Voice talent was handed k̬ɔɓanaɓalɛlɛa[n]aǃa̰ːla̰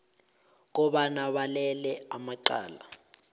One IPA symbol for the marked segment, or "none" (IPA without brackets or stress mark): m